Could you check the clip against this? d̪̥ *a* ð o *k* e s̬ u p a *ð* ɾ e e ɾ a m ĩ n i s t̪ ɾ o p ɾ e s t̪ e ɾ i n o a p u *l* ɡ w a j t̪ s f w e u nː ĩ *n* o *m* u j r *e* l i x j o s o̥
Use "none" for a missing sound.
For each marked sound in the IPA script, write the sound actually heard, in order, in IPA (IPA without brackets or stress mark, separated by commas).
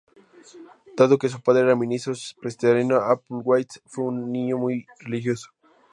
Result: a, k, ð, l, ɲ, m, e